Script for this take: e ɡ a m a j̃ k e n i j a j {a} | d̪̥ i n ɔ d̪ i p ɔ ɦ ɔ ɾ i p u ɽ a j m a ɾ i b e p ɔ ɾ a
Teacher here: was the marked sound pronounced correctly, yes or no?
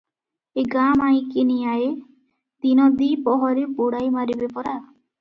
no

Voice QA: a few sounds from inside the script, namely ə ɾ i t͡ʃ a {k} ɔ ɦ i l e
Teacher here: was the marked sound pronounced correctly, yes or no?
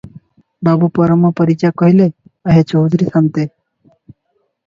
yes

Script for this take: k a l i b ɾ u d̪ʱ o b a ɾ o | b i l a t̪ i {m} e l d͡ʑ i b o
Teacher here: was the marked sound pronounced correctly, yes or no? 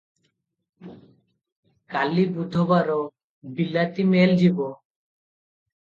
yes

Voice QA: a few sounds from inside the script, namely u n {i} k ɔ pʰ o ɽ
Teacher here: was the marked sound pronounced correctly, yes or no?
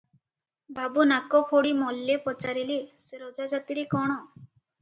no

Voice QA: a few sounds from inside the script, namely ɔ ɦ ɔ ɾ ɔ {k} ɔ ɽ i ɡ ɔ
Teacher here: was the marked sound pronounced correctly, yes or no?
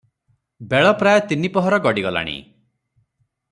no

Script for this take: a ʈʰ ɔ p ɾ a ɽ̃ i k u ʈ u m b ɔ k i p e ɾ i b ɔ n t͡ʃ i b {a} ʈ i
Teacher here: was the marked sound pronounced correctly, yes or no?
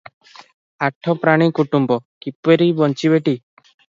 no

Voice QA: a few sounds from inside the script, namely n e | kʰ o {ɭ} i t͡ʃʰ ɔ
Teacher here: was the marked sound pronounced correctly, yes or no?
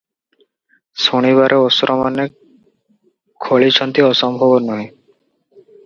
yes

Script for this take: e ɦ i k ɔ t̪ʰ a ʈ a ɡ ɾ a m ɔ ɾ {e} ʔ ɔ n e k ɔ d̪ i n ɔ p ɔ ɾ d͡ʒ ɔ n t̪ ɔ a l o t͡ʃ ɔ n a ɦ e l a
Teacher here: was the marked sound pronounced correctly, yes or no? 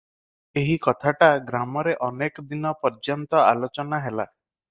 yes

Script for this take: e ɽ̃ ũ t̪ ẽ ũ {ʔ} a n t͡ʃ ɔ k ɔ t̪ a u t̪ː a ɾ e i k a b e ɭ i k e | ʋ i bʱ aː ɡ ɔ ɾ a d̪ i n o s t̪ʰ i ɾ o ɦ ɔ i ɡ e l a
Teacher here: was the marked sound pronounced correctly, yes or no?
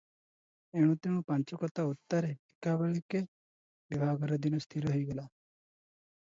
no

